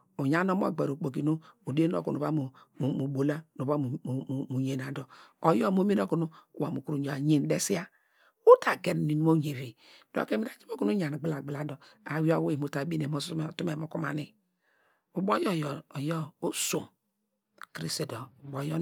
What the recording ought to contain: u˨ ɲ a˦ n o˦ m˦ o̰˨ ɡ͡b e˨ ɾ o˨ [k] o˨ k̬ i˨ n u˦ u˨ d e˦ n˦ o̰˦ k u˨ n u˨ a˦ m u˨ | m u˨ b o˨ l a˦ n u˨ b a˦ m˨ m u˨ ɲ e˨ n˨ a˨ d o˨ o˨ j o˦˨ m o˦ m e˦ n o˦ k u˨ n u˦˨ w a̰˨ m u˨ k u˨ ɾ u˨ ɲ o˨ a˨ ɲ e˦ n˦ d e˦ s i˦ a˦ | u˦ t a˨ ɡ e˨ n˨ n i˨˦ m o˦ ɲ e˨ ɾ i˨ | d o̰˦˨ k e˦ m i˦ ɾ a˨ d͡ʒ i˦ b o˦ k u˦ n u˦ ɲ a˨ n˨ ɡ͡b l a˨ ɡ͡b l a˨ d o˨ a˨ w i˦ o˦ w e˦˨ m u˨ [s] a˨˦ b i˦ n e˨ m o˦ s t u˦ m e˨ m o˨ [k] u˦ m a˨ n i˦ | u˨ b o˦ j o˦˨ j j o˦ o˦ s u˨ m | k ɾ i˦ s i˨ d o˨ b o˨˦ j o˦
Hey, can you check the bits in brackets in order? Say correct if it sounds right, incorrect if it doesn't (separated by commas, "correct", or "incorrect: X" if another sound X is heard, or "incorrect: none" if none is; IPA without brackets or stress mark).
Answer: incorrect: k͡p, incorrect: t, correct